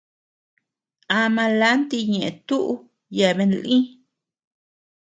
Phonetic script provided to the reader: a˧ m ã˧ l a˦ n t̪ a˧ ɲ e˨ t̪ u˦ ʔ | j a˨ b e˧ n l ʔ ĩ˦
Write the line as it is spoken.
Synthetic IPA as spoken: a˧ m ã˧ l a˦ n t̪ i˧ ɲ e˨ t̪ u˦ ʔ | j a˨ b e˧ n l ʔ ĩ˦